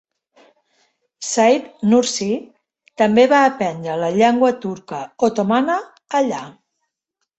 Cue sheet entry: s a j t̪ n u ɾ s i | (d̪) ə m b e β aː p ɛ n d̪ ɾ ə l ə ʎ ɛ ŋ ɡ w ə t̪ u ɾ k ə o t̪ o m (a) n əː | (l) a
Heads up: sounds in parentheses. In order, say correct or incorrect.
incorrect: t̪, correct, incorrect: ʎ

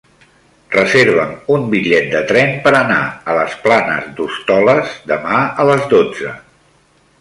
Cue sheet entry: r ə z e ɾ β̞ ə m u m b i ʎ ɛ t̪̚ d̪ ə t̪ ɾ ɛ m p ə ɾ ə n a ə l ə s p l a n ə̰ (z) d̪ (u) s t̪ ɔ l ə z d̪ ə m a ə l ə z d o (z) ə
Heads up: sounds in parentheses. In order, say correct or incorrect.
correct, correct, incorrect: d͡z

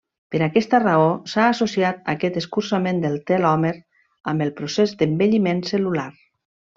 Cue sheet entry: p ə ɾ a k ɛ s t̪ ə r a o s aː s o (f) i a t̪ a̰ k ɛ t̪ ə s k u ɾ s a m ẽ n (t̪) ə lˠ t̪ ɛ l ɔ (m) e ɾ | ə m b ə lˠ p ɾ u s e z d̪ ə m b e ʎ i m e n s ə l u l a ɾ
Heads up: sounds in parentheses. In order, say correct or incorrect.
incorrect: s, incorrect: d̪, correct

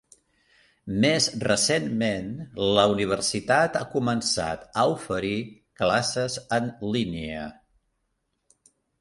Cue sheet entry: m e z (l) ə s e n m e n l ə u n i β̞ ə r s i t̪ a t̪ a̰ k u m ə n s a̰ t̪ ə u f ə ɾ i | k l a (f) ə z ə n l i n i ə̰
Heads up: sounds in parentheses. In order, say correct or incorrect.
incorrect: r, incorrect: s

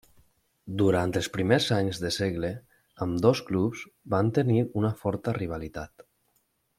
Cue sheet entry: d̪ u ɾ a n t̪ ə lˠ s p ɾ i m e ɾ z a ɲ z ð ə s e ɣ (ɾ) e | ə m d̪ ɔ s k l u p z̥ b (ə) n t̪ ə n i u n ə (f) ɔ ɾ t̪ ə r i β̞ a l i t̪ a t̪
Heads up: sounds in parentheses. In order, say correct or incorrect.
incorrect: l, incorrect: a, correct

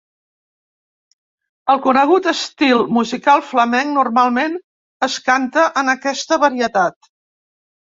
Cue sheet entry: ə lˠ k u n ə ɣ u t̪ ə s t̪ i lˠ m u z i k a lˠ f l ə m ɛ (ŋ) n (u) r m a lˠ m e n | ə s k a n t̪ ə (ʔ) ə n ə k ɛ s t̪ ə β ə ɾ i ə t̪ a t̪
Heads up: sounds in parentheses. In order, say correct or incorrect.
correct, correct, correct

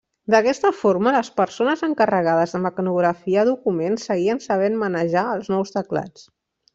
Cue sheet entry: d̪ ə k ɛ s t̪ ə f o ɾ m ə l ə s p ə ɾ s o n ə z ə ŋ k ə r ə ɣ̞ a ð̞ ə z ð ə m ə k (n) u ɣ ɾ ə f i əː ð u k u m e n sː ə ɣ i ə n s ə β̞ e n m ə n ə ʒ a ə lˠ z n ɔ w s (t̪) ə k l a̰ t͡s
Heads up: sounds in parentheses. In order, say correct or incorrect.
correct, correct

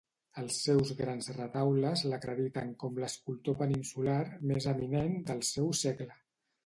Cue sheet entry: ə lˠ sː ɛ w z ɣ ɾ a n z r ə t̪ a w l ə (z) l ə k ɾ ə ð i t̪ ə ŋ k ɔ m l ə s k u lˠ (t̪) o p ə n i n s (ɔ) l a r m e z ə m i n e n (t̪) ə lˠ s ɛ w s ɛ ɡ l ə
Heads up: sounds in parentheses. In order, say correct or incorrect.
correct, correct, incorrect: u, incorrect: d̪

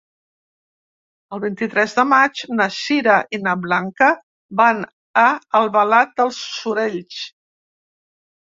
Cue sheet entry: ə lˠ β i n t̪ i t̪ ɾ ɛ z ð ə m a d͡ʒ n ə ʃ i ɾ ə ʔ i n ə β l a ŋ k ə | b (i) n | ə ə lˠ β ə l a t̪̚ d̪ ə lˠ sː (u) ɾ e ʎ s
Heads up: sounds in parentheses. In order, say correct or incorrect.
incorrect: a, correct

